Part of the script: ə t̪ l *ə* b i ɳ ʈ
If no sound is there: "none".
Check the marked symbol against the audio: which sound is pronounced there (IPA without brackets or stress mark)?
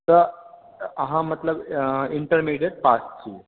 ə